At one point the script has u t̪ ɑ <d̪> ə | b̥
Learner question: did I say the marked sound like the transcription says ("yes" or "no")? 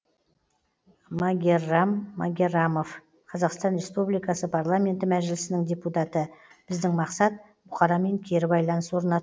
no